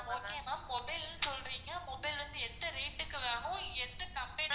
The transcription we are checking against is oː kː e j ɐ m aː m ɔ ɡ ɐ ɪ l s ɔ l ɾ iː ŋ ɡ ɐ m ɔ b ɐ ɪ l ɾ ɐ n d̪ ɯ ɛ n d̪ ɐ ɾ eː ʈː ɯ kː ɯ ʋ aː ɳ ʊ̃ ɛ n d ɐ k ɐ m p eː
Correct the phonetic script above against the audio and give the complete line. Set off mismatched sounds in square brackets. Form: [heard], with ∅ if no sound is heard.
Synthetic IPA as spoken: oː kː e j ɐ m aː m ɔ [b] ɐ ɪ l s ɔ l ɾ iː ŋ ɡ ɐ m ɔ b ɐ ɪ l ɾ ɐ n d̪ ɯ ɛ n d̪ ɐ ɾ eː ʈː ɯ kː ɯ ʋ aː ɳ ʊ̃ ɛ n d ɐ k ɐ m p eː